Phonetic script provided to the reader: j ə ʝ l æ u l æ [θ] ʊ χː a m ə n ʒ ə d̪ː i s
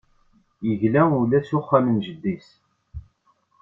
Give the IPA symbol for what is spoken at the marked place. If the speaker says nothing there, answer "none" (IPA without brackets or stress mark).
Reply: s